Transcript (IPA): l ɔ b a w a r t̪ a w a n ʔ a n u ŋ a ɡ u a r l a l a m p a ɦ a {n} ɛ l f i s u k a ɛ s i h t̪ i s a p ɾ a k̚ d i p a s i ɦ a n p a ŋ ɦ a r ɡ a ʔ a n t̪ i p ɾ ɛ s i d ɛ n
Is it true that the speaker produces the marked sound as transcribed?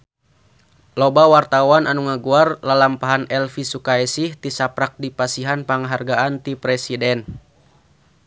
yes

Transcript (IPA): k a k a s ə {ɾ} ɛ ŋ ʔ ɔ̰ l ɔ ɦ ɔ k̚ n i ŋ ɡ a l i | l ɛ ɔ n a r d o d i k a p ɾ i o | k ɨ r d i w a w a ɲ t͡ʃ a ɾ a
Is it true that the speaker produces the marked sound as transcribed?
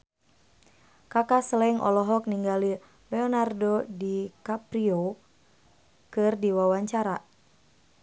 no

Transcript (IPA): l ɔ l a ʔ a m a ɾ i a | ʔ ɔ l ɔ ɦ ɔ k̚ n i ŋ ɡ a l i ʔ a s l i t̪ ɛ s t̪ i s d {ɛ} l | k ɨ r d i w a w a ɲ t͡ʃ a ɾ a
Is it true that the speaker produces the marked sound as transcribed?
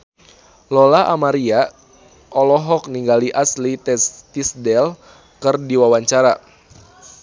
yes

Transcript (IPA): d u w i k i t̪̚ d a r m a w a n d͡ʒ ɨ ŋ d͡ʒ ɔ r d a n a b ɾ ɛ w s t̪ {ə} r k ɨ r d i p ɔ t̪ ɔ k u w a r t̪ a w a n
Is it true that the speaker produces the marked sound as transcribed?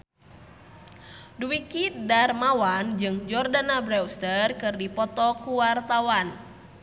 yes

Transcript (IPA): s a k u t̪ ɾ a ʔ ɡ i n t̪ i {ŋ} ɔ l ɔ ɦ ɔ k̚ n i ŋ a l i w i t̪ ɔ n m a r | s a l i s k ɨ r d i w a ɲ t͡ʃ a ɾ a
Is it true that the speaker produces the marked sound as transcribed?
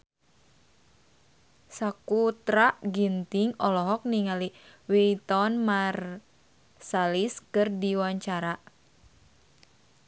yes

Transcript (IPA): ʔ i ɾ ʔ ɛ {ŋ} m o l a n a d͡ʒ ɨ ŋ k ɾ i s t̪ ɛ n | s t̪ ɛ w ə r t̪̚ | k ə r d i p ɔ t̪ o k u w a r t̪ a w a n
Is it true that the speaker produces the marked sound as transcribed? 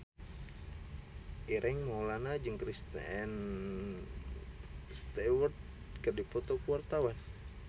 yes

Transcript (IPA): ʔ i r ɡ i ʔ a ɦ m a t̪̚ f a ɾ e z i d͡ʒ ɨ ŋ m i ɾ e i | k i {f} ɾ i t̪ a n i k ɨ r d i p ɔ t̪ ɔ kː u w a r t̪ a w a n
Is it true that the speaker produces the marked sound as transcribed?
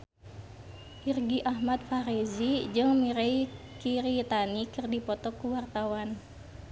no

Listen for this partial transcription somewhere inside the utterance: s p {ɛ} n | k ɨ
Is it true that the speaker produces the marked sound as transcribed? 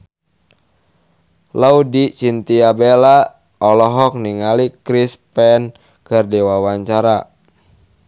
yes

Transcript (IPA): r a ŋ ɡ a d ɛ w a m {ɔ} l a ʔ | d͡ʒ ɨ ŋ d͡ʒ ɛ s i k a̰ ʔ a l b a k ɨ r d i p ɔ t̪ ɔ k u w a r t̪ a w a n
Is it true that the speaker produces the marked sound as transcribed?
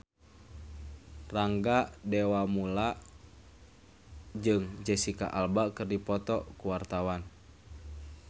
no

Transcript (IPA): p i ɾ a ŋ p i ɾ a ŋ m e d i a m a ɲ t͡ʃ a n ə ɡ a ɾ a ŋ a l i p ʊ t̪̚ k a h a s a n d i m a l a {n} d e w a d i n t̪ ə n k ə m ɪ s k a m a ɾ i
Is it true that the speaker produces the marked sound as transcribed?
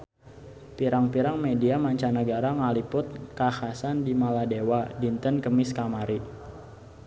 no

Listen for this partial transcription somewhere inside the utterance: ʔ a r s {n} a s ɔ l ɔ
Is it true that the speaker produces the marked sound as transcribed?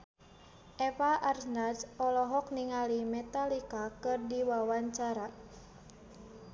yes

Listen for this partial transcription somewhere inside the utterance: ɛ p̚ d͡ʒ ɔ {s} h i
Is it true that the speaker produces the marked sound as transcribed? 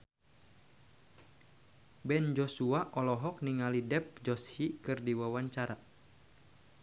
yes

